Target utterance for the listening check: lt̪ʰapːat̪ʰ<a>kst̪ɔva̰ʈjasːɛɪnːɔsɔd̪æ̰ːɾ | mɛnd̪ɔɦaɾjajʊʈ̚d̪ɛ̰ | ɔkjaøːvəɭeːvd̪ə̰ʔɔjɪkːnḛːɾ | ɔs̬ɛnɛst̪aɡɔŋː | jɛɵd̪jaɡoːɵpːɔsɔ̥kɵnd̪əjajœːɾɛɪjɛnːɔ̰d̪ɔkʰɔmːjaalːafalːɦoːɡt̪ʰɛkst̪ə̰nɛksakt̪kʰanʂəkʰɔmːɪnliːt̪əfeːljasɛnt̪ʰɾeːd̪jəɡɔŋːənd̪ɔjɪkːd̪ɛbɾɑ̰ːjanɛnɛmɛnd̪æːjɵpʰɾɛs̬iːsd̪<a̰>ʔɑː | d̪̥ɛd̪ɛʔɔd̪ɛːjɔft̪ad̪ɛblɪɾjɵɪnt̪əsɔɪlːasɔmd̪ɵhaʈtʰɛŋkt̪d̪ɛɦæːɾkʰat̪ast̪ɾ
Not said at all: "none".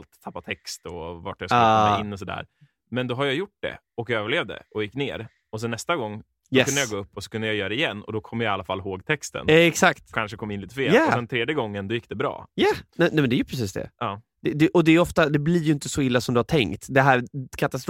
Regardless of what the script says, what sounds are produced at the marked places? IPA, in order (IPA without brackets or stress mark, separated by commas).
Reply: ɛ, ɛ̰